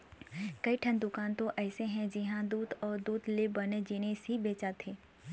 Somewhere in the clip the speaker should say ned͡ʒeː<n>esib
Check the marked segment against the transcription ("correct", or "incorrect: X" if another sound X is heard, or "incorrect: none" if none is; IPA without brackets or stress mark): correct